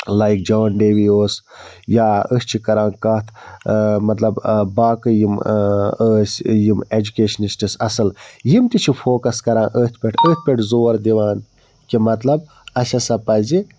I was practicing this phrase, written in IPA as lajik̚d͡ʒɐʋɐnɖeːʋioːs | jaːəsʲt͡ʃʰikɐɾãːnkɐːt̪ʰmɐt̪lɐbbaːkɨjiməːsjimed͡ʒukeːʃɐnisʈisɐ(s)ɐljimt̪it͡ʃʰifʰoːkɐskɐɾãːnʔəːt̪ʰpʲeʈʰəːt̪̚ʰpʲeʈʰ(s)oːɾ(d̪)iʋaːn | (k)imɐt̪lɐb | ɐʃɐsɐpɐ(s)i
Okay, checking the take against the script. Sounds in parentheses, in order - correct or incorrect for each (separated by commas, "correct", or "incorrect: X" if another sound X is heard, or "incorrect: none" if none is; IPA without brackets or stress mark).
correct, incorrect: z, correct, correct, incorrect: z